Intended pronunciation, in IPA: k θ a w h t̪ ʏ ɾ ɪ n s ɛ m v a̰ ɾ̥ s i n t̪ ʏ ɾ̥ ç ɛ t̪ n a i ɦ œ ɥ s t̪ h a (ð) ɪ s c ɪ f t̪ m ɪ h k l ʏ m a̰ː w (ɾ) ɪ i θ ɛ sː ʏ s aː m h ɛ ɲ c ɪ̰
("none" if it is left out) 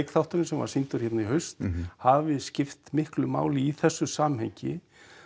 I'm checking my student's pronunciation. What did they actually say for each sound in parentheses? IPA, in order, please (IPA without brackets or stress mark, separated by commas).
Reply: v, l